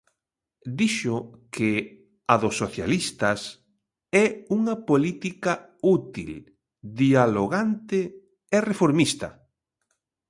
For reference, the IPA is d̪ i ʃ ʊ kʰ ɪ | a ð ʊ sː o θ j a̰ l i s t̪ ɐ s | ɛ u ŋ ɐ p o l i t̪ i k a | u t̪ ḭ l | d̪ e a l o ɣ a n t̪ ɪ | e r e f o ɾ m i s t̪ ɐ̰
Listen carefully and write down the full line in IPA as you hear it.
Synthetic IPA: d̪ i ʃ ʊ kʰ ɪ | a ð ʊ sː o θ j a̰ l i s t̪ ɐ s | ɛ u ŋ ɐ p o l i t̪ i k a | u t̪ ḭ l | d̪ i a l o ɣ a n t̪ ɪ | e r e f o ɾ m i s t̪ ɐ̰

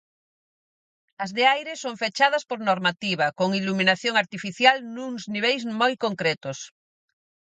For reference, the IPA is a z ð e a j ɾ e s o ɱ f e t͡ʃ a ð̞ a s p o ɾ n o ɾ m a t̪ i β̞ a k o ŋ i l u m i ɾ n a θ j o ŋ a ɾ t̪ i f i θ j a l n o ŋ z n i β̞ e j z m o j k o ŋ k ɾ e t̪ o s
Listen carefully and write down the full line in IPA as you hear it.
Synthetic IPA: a z ð e a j ɾ e s o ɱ f e t͡ʃ a ð̞ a s p o ɾ n o ɾ m a t̪ i β̞ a k o ŋ i l u m i n a θ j o ŋ a ɾ t̪ i f i θ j a l n u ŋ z n i β̞ e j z m o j k o ŋ k ɾ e t̪ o s

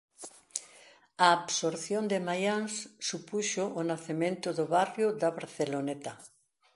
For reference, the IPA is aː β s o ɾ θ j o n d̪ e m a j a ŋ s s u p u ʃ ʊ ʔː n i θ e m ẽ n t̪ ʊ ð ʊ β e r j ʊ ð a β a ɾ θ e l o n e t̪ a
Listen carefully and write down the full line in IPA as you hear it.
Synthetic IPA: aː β s o ɾ θ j o n d̪ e m a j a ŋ s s u p u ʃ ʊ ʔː n a θ e m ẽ n t̪ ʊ ð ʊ β a r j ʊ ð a β a ɾ θ e l o n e t̪ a

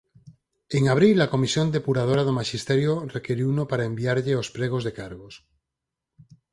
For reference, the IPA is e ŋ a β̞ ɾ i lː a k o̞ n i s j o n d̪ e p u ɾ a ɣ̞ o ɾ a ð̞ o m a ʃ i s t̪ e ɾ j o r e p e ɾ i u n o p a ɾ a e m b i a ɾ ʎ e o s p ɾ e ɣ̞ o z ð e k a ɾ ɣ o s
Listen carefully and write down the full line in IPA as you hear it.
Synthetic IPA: e ŋ a β̞ ɾ i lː a k o̞ m i s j o n d̪ e p u ɾ a ð̞ o ɾ a ð̞ o m a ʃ i s t̪ e ɾ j o r e k e ɾ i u n o p a ɾ a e m b i a ɾ ʎ e o s p ɾ e ɣ̞ o z ð e k a ɾ ɣ o s

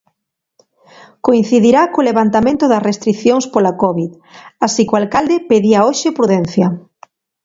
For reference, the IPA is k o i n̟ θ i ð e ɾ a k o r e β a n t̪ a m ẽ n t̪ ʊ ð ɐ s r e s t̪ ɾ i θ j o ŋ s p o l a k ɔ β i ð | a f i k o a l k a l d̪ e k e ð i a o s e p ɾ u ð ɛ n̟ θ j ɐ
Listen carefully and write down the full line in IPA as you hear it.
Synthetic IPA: k o i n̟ θ i ð i ɾ a k o l e β a n t̪ a m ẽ n t̪ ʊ ð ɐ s r e s t̪ ɾ i θ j o ŋ s p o l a k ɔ β i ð | a s i k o a l k a l d̪ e p e ð i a o ʃ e p ɾ u ð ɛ n̟ θ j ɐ

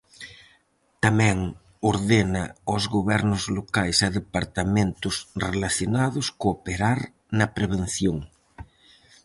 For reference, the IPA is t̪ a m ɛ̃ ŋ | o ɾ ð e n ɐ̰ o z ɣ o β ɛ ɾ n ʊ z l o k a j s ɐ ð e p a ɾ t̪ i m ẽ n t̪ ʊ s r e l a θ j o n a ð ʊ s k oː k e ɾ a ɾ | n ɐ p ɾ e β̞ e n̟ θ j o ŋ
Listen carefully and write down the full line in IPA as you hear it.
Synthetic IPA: t̪ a m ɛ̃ ŋ | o ɾ ð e n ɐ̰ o z ɣ o β ɛ ɾ n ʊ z l o k a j s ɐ ð e p a ɾ t̪ a m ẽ n t̪ ʊ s r e l a θ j o n a ð ʊ s k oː p e ɾ a ɾ | n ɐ p ɾ e β̞ e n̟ θ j o ŋ

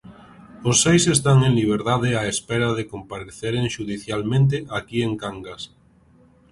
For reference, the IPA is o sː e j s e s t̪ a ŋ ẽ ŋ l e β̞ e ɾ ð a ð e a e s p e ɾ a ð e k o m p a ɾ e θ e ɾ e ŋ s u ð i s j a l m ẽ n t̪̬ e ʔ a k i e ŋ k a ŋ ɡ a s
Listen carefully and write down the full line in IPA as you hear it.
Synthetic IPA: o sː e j s e s t̪ a ŋ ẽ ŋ l i β̞ e ɾ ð a ð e a e s p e ɾ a ð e k o m p a ɾ e θ e ɾ e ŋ ʃ u ð i θ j a l m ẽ n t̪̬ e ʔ a k i e ŋ k a ŋ ɡ a s

